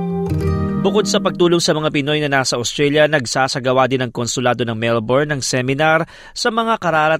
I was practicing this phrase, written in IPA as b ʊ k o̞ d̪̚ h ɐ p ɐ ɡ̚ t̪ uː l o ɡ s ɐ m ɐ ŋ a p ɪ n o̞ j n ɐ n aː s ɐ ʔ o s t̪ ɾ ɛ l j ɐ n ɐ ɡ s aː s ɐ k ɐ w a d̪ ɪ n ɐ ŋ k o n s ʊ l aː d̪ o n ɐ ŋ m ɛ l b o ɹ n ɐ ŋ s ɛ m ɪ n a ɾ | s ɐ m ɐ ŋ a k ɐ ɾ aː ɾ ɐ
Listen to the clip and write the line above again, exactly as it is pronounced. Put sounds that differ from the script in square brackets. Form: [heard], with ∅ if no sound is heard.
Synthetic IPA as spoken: b ʊ k o̞ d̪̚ [s] ɐ p ɐ ɡ̚ t̪ uː l o [ŋ] s ɐ m ɐ ŋ a p ɪ n o̞ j n ɐ n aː s ɐ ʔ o s t̪ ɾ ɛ l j ɐ n ɐ ɡ s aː s ɐ [ɡ] ɐ w a d̪ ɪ n ɐ ŋ k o n s ʊ l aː d̪ o n ɐ ŋ m ɛ l b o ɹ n ɐ ŋ s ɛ m ɪ n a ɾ | s ɐ m ɐ ŋ a k ɐ ɾ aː ɾ ɐ